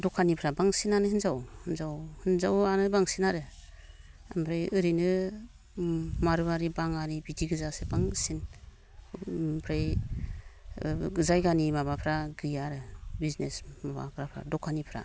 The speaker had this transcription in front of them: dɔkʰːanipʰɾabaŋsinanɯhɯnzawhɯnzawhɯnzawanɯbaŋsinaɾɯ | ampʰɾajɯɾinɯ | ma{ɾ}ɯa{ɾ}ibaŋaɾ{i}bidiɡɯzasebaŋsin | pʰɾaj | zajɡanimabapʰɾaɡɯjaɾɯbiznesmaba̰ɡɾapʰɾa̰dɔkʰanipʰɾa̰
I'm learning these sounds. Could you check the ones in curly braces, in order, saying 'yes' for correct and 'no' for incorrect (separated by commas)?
yes, yes, yes